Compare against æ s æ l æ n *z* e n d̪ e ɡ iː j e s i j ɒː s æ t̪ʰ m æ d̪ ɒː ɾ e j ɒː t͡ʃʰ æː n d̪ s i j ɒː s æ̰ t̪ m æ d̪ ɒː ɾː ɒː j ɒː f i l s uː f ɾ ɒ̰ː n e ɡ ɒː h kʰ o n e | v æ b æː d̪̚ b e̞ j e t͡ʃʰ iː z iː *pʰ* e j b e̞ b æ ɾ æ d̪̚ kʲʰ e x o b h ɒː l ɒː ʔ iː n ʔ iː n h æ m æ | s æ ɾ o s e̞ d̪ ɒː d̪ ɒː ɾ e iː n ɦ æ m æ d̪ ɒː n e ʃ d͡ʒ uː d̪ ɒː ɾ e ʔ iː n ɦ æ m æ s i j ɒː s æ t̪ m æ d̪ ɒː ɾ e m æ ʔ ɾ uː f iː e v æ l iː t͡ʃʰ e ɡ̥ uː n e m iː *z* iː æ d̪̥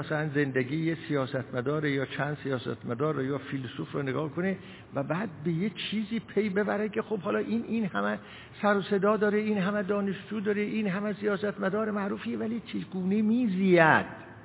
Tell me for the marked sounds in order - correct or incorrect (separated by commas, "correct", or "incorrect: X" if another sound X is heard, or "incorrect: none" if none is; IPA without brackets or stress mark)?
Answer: correct, correct, correct